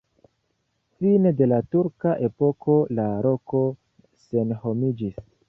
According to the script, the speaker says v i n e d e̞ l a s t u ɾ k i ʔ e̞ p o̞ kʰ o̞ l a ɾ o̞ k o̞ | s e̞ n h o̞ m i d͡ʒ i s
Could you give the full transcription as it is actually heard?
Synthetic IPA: f i n e d e̞ l a t u ɾ k a ʔ e̞ p o̞ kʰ o̞ l a ɾ o̞ k o̞ | s e̞ n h o̞ m i d͡ʒ i s